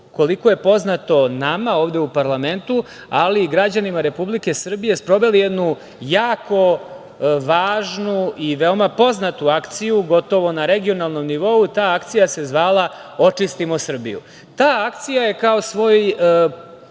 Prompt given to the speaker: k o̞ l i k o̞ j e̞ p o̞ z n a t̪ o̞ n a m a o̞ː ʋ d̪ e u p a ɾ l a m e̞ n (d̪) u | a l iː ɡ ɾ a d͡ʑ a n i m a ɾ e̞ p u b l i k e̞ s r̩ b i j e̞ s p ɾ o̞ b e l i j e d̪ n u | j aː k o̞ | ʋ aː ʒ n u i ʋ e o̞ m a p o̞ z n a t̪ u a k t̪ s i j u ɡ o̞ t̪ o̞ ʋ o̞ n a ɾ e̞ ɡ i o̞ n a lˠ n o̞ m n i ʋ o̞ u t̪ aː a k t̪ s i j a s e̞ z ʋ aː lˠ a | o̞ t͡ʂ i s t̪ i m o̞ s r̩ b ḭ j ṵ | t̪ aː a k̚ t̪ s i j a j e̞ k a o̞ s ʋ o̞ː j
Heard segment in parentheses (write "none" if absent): t̪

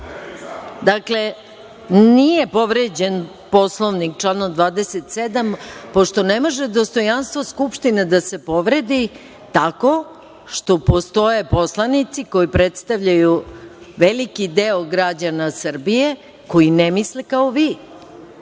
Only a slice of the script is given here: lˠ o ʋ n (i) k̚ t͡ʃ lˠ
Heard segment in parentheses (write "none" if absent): i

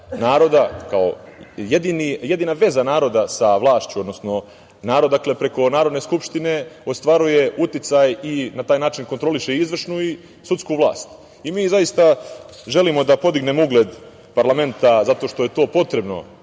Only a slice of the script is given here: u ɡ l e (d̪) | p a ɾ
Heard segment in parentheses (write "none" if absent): d̪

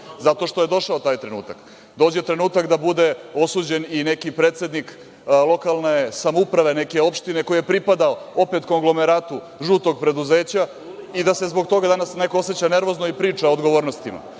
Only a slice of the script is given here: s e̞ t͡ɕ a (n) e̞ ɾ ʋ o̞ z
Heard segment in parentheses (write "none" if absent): n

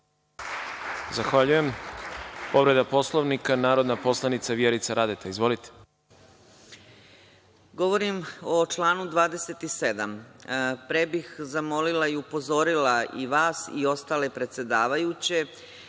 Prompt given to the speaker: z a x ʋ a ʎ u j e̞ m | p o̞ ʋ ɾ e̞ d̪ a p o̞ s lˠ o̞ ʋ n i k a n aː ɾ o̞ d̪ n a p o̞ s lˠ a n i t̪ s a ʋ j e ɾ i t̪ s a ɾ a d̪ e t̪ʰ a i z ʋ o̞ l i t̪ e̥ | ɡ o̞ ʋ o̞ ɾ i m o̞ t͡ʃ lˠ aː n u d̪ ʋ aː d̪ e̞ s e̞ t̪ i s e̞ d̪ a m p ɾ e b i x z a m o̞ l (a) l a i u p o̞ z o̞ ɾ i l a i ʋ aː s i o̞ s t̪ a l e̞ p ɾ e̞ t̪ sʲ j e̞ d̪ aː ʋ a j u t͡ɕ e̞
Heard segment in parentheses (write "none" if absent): i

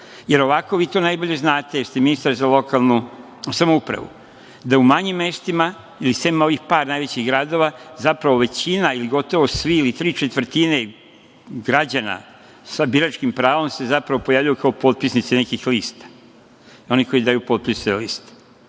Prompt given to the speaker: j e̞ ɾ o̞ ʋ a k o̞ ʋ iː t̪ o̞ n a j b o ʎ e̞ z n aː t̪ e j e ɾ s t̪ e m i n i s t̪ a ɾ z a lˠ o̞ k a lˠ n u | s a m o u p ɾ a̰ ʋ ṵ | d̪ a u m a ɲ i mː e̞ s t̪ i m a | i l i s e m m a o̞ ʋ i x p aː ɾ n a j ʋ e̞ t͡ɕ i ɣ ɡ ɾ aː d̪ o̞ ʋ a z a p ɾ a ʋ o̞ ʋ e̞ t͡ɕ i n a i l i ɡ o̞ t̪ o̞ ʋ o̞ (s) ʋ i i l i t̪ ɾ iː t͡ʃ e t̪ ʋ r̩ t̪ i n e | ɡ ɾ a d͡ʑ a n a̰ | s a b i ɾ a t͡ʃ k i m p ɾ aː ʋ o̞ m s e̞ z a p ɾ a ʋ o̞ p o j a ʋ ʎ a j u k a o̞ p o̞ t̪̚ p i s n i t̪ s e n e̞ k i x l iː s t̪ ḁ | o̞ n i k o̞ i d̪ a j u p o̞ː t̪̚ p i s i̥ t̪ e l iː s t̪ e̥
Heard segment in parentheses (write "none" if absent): s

